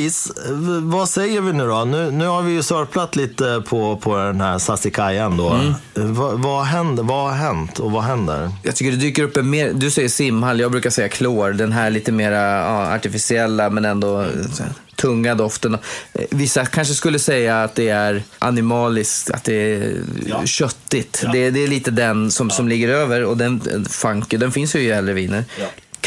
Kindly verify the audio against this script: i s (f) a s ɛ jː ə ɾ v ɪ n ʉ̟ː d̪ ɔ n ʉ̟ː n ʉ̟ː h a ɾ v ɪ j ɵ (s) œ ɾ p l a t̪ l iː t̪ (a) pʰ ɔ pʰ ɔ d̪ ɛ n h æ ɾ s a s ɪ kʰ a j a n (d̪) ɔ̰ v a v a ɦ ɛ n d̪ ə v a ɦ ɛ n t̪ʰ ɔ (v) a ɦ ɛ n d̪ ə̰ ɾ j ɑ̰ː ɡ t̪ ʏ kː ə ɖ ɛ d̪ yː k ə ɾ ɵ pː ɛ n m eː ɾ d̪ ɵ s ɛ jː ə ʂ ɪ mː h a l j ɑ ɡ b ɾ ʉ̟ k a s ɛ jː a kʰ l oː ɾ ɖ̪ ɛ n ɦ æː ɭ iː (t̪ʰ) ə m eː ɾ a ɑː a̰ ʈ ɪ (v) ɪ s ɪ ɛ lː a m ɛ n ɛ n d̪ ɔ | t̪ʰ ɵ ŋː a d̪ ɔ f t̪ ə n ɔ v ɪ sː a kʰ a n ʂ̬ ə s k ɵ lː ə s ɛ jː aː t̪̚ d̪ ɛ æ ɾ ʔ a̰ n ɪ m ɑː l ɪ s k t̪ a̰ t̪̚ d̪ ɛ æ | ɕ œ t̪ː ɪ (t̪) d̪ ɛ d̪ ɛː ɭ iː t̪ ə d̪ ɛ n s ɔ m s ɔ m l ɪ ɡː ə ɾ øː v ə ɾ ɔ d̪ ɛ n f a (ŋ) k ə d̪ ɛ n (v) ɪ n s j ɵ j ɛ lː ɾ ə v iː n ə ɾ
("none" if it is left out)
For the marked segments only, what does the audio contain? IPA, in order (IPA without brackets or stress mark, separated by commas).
v, s, ə, d̪, v, t̪, f, t̪, ŋ, f